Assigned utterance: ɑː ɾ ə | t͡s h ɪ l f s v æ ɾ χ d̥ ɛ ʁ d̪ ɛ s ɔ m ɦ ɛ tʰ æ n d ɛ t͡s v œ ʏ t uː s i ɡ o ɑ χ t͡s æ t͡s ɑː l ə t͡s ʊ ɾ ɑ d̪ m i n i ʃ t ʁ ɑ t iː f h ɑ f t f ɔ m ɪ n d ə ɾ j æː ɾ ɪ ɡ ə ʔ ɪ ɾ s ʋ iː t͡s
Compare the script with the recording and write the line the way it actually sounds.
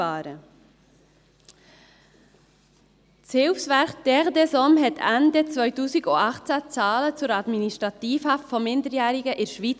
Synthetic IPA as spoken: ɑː ɾ ə | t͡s h ɪ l f s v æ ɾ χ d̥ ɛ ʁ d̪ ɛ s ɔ m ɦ ɛ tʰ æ n d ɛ t͡s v œ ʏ t uː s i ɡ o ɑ χ t͡s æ t͡s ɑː l ə t͡s ʊ ɾ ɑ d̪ m i n i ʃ t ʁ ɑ t iː f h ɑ f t f ɔ m ɪ n d ə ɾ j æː ɾ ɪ ɡ ə ʔ ɪ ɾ ʃ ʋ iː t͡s